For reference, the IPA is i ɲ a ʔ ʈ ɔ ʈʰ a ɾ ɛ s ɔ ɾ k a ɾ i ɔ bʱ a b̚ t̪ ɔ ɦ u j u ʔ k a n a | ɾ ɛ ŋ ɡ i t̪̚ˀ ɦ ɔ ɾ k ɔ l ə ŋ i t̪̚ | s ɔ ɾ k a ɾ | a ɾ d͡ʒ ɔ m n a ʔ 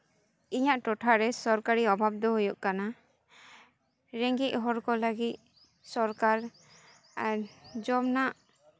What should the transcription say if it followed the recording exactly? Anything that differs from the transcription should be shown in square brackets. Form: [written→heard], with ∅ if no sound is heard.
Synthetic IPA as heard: i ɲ a ʔ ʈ ɔ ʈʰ a ɾ ɛ s ɔ ɾ k a ɾ i ɔ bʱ a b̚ [t̪→d̪] ɔ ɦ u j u ʔ k a n a | ɾ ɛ ŋ ɡ i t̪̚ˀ ɦ ɔ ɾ k ɔ l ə [ŋ→ɡ] i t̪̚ | s ɔ ɾ k a ɾ | a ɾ d͡ʒ ɔ m n a ʔ

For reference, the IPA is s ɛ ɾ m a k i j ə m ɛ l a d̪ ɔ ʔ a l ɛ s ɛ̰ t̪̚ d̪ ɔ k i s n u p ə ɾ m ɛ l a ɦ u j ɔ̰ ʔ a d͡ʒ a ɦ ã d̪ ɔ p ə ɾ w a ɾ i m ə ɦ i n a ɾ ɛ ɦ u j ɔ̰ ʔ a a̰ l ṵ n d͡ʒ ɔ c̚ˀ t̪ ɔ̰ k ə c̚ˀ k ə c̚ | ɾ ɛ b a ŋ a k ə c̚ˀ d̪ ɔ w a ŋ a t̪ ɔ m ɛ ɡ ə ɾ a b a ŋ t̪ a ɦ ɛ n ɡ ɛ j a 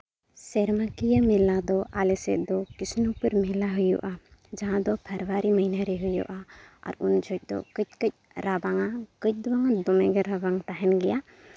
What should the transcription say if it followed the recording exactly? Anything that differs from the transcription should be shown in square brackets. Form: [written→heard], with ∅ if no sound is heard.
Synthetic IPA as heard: s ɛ ɾ m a k i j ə m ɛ l a d̪ ɔ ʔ a l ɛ s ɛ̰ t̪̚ d̪ ɔ k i s n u p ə ɾ m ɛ l a ɦ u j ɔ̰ ʔ a d͡ʒ a ɦ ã d̪ ɔ [p→pʰ] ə ɾ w a ɾ i m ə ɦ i n a ɾ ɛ ɦ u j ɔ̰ ʔ a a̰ [l→ɾ] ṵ n d͡ʒ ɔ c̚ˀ [t̪→d̪] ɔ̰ k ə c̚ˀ k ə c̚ | ɾ [ɛ→a] b a ŋ a k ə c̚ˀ d̪ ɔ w a ŋ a [t̪→d̪] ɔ m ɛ ɡ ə ɾ a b a ŋ t̪ a ɦ ɛ n ɡ ɛ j a

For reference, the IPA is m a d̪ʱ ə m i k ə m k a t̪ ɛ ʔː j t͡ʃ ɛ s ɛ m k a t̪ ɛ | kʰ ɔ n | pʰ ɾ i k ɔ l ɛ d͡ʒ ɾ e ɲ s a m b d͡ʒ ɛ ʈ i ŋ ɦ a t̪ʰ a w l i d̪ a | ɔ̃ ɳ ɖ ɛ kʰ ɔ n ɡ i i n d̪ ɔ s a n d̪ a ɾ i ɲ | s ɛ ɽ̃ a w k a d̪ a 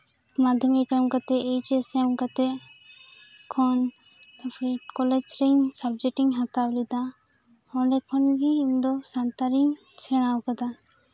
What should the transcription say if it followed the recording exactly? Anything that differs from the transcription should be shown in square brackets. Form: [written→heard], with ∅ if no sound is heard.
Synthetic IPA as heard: m a d̪ʱ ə m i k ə m k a t̪ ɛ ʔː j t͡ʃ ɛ s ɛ m k a t̪ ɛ | kʰ ɔ n | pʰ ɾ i k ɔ l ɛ d͡ʒ ɾ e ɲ s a [m→∅] b d͡ʒ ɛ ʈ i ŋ ɦ a [t̪ʰ→t̪] a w l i d̪ a | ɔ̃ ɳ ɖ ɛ kʰ ɔ n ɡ i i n d̪ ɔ s a n [d̪→t̪] a ɾ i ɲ | s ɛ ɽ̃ a w k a d̪ a

